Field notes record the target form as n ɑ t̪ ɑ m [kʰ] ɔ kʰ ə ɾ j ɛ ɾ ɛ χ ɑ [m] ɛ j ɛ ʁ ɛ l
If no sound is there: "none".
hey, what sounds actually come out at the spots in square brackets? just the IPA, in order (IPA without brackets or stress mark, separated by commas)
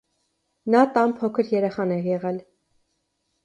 pʰ, n